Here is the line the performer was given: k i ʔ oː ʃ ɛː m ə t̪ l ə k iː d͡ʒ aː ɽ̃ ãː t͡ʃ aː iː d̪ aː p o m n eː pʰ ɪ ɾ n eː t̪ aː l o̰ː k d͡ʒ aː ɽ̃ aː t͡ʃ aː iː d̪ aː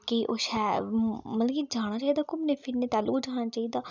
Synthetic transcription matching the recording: k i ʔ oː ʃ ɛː m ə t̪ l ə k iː d͡ʒ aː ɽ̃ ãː t͡ʃ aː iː d̪ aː k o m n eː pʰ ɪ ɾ n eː t̪ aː l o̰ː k d͡ʒ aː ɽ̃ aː t͡ʃ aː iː d̪ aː